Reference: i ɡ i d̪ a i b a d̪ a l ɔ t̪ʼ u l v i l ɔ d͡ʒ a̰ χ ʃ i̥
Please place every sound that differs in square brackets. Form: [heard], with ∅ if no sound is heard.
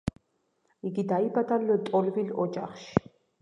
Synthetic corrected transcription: i ɡ i d̪ a i b a d̪ a l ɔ t̪ʼ [ɔ] l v i l ɔ d͡ʒ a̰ χ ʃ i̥